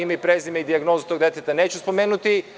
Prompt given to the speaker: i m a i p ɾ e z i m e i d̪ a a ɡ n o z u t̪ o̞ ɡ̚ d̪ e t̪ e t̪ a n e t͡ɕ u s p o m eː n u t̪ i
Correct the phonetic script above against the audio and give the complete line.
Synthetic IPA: i m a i p ɾ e z i m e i d̪ i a ɡ n o z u t̪ o̞ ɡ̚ d̪ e t̪ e t̪ a n e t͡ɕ u s p o m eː n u t̪ i

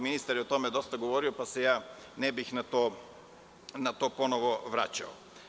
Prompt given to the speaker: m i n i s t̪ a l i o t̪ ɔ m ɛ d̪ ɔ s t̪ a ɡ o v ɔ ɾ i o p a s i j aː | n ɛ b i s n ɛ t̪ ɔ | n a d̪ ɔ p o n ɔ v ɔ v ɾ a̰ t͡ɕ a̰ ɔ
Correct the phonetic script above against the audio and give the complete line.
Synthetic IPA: m i n i s t̪ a ɾ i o t̪ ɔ m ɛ d̪ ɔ s t̪ a ɡ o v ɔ ɾ i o p a s ɛ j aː | n ɛ b i x n a t̪ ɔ | n a t̪ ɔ p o n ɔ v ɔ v ɾ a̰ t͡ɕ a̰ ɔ

